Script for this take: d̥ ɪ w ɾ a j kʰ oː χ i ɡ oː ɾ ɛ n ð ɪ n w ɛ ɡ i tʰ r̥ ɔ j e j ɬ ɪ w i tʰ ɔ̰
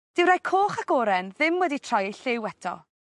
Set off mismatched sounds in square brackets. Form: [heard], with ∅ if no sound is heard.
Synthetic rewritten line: d̥ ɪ w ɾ a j kʰ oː χ [a] ɡ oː ɾ ɛ n ð ɪ [m] w ɛ [d] i tʰ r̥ ɔ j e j ɬ ɪ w [ɛ] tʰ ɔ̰